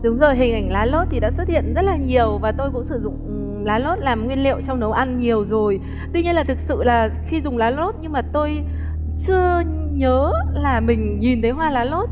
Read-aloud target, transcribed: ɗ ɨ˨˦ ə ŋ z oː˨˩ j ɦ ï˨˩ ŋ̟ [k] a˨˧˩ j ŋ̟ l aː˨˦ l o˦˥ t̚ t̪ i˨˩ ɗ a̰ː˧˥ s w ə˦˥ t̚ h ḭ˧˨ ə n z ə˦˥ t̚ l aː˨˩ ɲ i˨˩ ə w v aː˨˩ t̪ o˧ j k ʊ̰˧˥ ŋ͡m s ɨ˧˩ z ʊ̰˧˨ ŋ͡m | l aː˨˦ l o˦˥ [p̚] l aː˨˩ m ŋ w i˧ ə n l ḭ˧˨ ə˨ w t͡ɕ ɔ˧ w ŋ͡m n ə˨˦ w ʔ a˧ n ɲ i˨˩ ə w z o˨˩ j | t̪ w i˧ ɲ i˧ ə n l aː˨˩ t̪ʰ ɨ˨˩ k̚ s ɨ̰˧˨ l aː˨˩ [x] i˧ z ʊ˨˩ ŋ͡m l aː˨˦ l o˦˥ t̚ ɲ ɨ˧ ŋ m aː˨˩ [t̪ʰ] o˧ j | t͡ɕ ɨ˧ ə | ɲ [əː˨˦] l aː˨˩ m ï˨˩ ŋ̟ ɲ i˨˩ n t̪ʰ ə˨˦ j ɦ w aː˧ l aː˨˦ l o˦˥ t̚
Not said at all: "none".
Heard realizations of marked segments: ʔ, t̚, x, t̪, əː˨˦

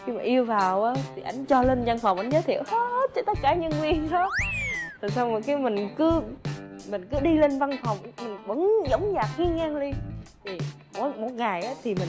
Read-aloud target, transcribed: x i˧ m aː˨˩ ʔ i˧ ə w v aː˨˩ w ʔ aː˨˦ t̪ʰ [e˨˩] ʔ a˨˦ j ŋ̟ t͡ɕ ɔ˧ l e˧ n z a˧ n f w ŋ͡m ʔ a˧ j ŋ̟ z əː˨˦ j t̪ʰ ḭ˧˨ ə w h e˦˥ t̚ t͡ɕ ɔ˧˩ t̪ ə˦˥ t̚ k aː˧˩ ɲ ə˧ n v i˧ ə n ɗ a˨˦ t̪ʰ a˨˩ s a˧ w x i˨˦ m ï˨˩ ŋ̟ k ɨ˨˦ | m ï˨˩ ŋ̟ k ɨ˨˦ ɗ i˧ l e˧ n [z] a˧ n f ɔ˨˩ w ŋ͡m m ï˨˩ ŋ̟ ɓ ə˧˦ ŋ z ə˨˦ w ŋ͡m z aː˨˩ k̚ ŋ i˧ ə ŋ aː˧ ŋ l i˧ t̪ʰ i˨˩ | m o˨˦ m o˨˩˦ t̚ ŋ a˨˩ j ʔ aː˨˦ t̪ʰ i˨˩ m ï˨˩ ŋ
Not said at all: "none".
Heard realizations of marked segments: i˨˩, v

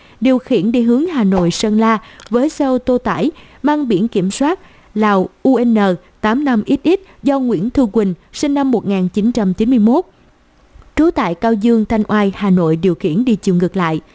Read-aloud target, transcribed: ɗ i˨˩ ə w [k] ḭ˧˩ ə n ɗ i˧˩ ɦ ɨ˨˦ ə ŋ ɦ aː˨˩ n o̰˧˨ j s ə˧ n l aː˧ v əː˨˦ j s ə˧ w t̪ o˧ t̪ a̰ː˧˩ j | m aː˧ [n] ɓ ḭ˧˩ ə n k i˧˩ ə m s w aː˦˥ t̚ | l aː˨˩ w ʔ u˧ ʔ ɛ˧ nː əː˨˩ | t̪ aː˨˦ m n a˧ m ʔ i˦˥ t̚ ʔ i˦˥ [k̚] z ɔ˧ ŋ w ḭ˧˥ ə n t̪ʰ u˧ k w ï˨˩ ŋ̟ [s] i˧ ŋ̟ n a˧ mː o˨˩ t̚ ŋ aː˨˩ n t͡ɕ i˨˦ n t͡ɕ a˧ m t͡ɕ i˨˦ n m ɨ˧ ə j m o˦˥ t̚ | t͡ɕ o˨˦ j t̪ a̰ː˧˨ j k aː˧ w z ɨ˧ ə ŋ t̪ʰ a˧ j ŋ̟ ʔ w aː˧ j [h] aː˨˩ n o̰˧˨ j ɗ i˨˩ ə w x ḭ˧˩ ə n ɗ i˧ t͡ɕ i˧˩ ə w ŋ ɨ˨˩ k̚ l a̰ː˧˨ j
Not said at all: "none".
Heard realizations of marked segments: x, ŋ, t̚, s, h

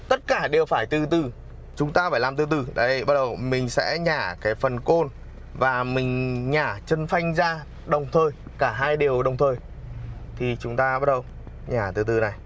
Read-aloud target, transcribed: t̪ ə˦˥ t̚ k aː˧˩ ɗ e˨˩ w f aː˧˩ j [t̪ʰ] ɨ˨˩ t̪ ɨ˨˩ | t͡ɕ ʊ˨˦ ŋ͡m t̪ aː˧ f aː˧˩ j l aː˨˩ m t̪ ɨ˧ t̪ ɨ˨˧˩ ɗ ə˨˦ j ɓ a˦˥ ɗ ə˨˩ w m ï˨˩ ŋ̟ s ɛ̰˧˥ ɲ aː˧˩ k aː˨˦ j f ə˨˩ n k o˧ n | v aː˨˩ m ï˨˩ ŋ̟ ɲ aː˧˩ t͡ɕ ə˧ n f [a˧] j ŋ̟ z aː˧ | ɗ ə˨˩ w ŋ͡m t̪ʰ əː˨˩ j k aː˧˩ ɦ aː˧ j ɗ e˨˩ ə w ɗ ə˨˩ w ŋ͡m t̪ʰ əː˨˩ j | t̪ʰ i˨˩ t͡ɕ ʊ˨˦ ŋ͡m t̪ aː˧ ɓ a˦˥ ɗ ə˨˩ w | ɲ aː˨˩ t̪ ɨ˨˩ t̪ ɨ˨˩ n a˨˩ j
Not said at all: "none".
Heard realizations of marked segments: t̪, a˧

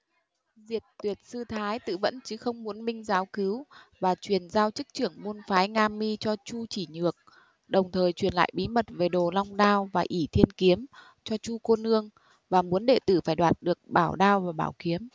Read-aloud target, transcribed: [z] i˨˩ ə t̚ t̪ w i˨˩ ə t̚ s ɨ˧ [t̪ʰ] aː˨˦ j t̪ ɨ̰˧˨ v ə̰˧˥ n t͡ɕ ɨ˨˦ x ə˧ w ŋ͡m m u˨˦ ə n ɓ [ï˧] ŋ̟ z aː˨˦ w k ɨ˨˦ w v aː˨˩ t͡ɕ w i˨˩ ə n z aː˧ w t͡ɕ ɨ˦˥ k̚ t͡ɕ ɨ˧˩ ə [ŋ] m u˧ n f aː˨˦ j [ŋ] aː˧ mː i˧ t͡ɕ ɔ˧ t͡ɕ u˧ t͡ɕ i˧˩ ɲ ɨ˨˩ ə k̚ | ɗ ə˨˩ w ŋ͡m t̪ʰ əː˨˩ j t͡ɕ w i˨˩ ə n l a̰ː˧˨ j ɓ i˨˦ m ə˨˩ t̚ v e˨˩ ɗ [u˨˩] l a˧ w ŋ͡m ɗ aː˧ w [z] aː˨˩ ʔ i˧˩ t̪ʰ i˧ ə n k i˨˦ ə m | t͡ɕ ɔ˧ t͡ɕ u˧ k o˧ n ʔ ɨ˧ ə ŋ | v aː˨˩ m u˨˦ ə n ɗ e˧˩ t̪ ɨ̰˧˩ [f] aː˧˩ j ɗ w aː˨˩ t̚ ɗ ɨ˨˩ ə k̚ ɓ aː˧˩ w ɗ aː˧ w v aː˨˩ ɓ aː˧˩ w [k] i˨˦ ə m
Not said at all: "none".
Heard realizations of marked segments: z, t̪ʰ, ï˧, ŋ, ŋ, o˨˩, v, f, k

